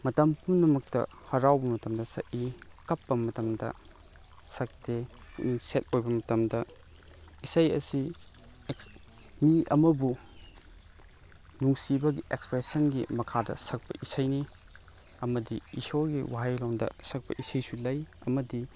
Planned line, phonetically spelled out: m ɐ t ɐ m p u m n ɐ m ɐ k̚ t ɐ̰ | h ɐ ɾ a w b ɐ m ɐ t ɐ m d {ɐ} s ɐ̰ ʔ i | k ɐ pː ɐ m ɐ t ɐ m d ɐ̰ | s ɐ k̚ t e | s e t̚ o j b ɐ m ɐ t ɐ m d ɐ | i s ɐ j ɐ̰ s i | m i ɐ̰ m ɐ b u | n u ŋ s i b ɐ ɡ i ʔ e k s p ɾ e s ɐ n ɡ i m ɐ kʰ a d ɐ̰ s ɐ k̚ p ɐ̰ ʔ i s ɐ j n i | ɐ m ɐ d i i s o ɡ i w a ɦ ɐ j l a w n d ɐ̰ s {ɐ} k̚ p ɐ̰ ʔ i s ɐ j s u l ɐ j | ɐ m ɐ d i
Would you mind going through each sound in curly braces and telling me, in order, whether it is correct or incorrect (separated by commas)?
correct, correct